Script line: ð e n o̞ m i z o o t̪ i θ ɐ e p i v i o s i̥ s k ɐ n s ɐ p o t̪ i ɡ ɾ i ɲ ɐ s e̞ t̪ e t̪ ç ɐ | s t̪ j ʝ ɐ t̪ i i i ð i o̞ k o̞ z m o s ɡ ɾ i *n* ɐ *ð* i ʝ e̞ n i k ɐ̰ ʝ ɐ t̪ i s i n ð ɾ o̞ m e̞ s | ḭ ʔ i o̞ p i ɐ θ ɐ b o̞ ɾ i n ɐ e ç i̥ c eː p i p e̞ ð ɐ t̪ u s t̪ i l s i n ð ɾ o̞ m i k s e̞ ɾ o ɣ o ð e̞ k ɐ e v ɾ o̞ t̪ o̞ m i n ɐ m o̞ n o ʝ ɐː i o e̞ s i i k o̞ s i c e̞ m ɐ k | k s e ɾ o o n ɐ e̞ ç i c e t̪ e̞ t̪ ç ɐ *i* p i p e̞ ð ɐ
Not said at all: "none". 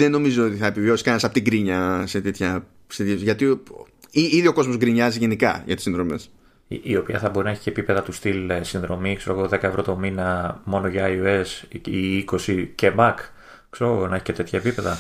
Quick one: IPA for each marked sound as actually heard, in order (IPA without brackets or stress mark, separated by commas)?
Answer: ɲ, z, e